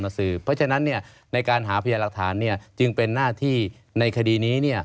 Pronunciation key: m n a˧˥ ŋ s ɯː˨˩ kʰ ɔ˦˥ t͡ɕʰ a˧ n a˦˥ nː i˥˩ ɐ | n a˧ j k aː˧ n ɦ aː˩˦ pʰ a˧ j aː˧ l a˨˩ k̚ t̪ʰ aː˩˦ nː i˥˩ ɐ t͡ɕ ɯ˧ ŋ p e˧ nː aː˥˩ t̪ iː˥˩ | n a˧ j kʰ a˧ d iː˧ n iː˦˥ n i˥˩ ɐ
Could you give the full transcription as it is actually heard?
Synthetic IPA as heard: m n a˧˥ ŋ s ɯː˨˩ pʰ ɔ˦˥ t͡ɕʰ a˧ n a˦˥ nː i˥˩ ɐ | n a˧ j k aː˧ n ɦ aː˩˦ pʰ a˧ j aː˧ l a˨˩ k̚ t̪ʰ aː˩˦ nː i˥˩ ɐ t͡ɕ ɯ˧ ŋ p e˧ nː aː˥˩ t̪ʰ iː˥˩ | n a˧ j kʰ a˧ d iː˧ n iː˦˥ n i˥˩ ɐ